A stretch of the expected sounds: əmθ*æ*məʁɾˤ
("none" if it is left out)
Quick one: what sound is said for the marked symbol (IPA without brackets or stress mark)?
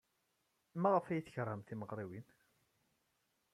i